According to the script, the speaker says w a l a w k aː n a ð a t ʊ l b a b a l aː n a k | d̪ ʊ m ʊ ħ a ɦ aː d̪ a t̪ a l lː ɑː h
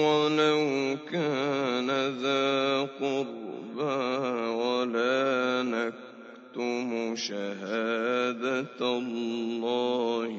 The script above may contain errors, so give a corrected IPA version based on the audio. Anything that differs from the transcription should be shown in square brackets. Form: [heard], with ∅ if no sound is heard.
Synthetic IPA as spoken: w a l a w k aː n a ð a [q] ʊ [ɾ] b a [w] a l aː n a k | [t̪] ʊ m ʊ [ʃ] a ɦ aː d̪ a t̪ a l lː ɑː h